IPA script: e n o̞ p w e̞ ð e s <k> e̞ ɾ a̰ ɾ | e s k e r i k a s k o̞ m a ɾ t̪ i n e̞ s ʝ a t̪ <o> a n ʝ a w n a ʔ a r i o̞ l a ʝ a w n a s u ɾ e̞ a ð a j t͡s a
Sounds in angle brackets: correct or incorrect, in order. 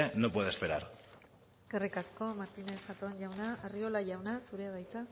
incorrect, correct

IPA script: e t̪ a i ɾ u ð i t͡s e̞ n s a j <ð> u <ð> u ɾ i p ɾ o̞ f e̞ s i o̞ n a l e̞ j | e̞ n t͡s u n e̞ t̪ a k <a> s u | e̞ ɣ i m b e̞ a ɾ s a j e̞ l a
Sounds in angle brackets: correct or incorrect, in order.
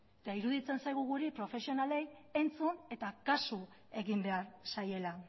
incorrect, incorrect, correct

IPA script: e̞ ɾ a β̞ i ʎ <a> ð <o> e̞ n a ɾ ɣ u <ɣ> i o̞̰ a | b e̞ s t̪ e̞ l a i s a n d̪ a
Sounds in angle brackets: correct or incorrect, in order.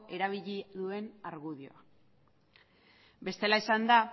incorrect, incorrect, incorrect

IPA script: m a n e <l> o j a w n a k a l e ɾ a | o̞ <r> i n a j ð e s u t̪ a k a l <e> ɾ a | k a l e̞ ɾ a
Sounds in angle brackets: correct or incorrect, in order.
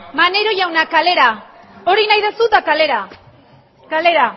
incorrect, incorrect, correct

